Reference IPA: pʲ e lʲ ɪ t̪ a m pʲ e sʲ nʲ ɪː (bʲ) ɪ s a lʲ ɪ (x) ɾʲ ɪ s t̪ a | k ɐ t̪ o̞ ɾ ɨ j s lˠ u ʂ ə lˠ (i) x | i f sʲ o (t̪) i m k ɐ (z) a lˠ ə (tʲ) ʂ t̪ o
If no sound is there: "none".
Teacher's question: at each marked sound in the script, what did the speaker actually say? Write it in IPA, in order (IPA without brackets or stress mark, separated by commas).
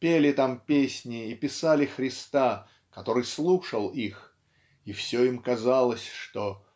pʲ, x, i, none, z, sʲ